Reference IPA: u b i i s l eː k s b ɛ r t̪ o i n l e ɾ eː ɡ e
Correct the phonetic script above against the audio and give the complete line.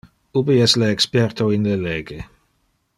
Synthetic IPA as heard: u b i ɛ s l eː k s p ɛ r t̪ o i n l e l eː ɡ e